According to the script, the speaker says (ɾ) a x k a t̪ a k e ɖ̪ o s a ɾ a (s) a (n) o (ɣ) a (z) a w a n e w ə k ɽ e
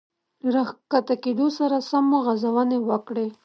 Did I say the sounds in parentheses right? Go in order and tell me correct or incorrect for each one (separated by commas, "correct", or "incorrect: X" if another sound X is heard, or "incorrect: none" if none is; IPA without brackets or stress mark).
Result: correct, correct, incorrect: m, correct, correct